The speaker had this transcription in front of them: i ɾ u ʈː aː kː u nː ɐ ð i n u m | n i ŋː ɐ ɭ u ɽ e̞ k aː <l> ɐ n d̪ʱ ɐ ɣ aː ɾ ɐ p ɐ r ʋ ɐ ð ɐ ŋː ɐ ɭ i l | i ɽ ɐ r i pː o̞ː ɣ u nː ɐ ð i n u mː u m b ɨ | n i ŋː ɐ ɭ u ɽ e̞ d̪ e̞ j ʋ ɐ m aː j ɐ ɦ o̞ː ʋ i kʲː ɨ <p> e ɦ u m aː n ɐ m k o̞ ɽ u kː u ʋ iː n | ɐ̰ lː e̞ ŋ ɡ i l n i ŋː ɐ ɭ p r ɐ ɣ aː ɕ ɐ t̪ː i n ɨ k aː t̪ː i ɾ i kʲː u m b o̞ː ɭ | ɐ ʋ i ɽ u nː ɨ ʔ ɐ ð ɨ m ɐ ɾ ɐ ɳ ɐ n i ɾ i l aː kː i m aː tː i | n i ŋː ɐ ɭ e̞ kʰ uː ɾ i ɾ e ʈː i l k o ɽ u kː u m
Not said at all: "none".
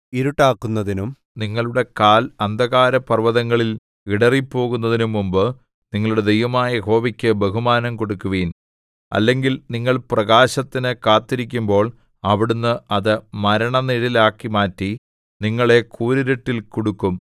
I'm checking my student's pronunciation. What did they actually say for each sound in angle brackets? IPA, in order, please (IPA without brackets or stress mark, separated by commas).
l, b